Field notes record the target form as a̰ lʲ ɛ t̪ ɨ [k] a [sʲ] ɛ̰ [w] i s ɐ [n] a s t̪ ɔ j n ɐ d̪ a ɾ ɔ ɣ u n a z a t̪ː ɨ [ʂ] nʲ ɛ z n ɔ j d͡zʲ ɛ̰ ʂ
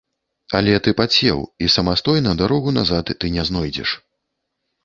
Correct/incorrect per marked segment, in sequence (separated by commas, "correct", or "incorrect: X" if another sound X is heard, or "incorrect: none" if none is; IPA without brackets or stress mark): incorrect: p, incorrect: t͡sʲ, correct, incorrect: m, incorrect: none